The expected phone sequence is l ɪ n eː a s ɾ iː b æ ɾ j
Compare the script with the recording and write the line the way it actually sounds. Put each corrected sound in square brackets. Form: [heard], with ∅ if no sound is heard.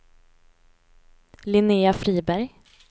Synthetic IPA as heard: l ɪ n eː a [f] ɾ iː b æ ɾ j